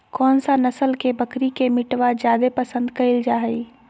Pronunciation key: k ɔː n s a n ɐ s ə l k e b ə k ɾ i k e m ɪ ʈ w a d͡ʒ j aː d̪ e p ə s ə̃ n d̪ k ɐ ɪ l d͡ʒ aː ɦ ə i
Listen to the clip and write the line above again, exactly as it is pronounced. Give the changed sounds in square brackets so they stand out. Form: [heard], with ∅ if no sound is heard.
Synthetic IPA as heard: k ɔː n s a n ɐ s ə l k e b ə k ɾ i k e m ɪ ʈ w a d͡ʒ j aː d̪ e p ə s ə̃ n d̪ k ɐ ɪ l d͡ʒ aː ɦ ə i